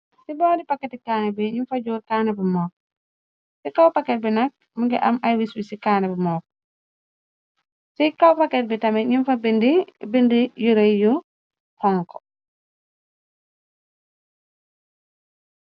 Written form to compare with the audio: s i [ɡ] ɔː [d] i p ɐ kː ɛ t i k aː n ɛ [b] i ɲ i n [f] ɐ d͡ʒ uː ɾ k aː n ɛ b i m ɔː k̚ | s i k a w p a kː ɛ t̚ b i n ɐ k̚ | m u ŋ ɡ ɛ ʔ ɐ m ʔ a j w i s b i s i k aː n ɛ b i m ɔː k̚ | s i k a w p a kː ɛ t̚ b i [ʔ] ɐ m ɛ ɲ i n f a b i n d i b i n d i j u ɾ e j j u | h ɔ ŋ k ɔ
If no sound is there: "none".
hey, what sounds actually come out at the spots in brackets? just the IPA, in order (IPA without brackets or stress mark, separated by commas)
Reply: b, d, b, f, t